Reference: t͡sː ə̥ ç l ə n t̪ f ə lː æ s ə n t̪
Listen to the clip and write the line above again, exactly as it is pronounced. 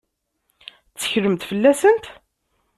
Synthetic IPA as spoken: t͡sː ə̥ ç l ə m t̪ f ə lː æ s ə n t̪